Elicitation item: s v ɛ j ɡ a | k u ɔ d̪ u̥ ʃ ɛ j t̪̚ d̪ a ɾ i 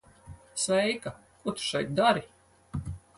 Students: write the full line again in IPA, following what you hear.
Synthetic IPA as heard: s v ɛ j k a | k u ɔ t̪ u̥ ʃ ɛ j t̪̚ d̪ a ɾ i